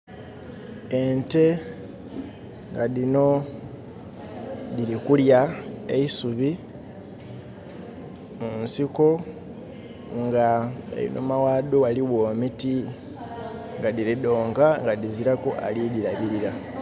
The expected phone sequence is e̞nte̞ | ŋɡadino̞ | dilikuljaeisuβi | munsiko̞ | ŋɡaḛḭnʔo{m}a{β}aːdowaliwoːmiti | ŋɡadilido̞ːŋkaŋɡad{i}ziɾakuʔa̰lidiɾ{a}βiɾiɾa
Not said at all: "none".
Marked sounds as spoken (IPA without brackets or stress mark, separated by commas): m, w, i, a